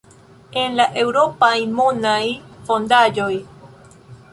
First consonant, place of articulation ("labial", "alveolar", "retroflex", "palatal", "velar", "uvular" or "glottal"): alveolar